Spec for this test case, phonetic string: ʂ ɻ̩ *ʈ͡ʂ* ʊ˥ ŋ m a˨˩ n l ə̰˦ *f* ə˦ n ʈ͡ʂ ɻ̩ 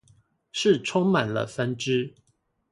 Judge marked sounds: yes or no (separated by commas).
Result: no, yes